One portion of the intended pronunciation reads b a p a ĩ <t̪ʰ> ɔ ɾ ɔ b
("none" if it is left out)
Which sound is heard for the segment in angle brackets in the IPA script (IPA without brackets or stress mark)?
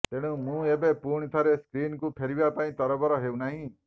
t̪